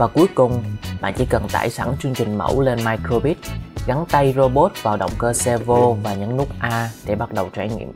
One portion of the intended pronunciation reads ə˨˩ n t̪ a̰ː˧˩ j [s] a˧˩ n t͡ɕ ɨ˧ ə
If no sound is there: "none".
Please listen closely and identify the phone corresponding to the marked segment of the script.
s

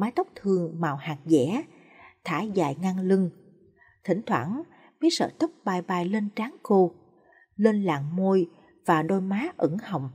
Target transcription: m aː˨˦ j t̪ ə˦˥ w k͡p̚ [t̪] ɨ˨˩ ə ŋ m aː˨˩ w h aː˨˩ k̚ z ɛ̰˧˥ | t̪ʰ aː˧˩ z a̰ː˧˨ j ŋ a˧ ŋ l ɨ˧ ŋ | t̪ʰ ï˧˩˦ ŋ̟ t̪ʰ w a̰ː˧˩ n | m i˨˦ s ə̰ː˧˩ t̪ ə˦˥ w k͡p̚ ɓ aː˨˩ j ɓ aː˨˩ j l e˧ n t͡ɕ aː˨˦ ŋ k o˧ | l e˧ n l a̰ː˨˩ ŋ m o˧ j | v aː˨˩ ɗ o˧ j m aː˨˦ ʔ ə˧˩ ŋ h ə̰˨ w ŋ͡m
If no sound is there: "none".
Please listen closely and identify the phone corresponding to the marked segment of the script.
t̪ʰ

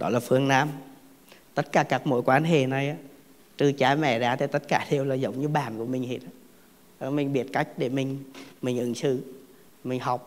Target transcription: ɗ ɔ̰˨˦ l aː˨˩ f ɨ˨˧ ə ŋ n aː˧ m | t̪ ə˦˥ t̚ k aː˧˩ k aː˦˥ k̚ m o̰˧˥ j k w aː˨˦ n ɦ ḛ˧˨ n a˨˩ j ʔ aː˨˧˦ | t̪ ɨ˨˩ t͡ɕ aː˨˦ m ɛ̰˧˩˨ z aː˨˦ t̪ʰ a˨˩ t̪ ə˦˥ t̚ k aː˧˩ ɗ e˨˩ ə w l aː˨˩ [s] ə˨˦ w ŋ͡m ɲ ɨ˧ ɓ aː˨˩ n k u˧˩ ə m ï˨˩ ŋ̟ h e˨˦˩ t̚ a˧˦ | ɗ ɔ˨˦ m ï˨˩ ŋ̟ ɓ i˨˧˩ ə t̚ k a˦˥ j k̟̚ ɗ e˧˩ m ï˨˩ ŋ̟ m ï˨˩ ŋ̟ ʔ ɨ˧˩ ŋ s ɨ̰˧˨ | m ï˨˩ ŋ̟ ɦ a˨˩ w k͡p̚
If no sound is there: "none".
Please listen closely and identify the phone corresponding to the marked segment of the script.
z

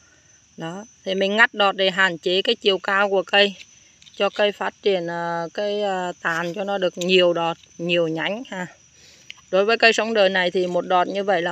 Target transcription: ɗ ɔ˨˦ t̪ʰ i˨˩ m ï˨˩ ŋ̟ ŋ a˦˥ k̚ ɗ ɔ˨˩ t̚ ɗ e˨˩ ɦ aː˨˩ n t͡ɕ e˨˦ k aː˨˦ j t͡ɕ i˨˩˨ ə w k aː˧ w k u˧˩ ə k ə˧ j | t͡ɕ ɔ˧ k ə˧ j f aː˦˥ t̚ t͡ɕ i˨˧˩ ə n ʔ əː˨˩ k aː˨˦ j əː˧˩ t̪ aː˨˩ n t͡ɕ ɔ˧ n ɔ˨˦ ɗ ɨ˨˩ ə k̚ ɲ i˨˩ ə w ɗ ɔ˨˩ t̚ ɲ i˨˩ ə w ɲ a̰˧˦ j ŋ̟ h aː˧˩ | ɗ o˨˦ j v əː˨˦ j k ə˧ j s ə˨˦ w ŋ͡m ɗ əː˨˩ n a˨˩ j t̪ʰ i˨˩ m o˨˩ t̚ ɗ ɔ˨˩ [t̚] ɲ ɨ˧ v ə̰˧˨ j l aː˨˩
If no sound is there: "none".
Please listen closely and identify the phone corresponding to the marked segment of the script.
t̚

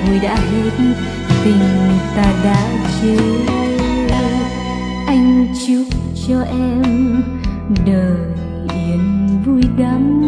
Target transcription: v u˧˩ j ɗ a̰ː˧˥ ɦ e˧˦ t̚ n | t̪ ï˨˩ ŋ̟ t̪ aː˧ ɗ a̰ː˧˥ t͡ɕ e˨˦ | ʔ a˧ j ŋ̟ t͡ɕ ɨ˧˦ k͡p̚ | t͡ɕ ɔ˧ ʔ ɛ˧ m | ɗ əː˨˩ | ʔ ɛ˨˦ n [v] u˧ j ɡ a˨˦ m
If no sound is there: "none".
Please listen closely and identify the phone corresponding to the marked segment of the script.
v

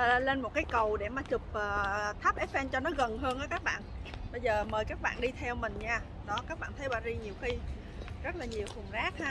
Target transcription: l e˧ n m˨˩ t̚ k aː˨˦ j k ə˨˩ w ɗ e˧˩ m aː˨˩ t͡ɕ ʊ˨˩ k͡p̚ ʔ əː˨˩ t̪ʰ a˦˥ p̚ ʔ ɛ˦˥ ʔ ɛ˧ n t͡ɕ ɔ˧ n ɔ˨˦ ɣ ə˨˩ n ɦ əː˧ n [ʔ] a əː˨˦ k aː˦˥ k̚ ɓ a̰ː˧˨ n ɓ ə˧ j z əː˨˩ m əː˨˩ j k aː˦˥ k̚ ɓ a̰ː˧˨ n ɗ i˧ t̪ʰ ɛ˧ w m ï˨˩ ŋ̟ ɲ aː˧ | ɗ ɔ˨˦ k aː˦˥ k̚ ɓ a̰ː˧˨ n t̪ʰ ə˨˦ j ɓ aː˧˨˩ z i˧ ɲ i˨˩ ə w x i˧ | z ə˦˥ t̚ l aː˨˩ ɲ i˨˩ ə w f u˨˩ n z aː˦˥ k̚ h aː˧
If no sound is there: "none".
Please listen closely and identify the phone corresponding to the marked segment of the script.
ʔ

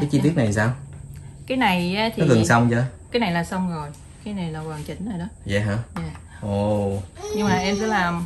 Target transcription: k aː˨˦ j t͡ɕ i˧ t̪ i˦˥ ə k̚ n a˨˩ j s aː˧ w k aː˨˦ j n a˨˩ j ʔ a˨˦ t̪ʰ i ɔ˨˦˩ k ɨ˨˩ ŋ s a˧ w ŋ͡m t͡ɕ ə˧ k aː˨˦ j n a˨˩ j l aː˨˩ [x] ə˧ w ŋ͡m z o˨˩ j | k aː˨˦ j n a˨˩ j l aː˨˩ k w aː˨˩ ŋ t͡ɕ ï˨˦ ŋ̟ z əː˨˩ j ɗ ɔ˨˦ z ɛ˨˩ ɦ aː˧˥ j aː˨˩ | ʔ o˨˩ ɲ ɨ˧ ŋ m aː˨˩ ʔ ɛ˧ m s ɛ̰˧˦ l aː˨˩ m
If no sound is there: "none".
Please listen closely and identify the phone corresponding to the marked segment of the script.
s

